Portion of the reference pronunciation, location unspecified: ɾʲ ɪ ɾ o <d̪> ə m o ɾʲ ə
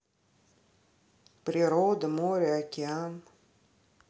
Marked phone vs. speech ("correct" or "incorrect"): correct